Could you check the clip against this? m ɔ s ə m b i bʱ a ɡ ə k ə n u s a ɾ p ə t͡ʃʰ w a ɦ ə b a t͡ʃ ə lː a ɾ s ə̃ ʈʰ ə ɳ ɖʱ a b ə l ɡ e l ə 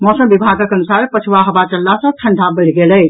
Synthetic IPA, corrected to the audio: m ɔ s ə m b i bʱ a ɡ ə k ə n u s a ɾ p ə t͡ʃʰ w a ɦ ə b a t͡ʃ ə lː a s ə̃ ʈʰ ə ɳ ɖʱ a b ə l ɡ e l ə